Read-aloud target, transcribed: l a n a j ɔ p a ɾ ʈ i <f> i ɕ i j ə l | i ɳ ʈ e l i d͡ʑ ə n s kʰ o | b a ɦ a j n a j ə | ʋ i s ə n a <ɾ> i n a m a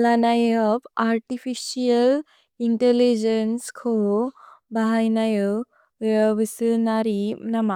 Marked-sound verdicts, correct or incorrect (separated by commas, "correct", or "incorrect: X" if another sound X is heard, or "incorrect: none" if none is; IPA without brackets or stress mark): correct, correct